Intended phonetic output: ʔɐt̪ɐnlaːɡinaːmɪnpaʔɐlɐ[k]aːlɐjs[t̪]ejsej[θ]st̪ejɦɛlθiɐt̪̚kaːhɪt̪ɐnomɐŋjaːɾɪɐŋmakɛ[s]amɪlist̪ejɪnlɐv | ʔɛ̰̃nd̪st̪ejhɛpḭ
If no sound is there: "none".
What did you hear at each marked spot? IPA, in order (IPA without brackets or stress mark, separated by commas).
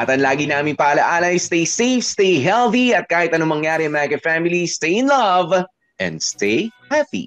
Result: ʔ, t̪, f, f